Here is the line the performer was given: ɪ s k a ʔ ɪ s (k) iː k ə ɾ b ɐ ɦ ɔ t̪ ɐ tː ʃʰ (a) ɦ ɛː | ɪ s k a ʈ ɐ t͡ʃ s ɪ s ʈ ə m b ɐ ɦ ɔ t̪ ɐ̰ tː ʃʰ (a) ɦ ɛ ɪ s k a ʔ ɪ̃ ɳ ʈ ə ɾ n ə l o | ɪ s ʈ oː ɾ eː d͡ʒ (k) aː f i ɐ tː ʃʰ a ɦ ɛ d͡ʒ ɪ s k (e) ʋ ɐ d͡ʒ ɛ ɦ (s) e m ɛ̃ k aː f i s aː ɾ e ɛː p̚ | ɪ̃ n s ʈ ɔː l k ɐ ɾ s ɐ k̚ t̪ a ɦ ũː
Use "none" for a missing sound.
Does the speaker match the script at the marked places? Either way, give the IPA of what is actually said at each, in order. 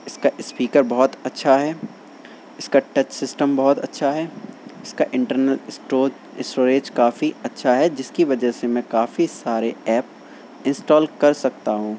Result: p, a, a, k, i, s

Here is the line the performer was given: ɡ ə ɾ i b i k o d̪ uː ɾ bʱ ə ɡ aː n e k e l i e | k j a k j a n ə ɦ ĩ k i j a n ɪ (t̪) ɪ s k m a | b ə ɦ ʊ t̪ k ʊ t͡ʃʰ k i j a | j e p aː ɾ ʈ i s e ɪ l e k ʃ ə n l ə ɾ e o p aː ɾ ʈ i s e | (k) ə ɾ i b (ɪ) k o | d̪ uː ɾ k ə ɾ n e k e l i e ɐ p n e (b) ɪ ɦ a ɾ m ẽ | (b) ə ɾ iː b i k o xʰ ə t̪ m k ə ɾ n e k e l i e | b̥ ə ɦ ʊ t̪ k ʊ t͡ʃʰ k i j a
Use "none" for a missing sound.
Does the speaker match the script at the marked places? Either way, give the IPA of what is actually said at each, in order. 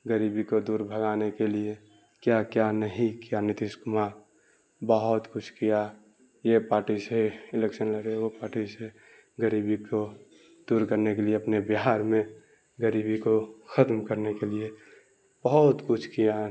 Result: t̪, ɡ, i, b, ɡ

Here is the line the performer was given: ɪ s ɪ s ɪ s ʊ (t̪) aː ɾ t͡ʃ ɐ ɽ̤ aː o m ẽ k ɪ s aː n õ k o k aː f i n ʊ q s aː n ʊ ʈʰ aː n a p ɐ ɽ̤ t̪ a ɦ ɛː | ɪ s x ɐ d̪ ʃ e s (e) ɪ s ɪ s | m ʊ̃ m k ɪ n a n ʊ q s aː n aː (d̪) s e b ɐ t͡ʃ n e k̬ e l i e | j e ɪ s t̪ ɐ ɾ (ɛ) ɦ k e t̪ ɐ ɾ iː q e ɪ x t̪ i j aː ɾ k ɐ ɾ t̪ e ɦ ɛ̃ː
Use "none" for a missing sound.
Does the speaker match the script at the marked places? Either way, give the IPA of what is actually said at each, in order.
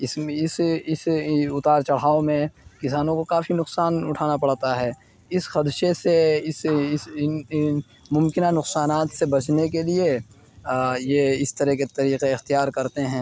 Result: t̪, e, t̪, ɛ

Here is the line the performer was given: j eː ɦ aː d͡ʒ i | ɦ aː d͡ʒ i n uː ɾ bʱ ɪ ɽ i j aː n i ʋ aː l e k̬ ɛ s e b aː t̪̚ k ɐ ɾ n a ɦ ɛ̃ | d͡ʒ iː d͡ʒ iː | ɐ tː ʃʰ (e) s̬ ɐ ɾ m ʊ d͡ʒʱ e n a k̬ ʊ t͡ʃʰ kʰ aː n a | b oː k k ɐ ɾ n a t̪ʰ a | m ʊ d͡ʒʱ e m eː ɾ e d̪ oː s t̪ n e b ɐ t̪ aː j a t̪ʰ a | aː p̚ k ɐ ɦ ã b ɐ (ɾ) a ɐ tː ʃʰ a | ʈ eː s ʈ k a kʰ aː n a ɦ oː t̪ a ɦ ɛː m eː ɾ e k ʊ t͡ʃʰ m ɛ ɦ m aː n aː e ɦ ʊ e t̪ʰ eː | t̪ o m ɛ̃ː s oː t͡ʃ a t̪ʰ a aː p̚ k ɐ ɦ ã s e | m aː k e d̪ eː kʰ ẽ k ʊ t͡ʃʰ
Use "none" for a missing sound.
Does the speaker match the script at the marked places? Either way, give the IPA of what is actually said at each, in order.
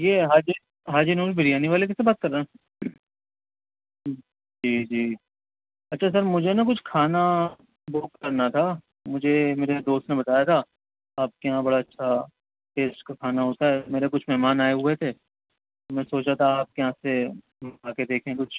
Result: a, ɽ

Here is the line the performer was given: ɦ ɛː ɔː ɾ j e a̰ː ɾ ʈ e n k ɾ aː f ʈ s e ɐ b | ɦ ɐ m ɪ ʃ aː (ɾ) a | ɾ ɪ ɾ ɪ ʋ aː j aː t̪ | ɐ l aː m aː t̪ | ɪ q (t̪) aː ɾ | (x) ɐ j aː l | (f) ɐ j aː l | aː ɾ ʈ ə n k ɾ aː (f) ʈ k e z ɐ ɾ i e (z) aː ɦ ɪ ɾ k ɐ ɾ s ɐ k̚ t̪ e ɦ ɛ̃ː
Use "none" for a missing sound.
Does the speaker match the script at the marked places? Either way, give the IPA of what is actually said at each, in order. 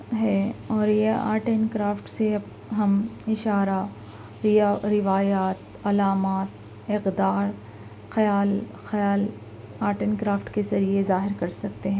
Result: ɾ, d̪, x, x, f, z

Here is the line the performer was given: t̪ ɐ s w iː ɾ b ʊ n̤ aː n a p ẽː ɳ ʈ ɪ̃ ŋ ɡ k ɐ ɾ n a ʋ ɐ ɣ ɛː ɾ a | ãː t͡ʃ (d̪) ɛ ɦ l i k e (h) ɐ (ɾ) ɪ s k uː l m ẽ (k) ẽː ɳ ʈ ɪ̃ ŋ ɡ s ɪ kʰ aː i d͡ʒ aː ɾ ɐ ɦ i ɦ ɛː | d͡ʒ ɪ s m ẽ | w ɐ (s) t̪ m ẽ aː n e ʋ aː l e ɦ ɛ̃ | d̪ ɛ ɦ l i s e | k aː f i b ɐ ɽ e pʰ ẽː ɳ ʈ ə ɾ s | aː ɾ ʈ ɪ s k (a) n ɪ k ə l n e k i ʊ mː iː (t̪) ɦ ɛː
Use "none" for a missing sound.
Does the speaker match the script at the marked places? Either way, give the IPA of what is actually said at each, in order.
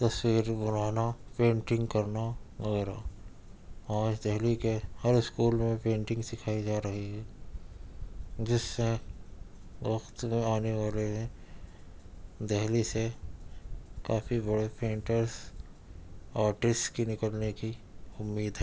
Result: d̪, h, ɾ, p, x, i, d̪

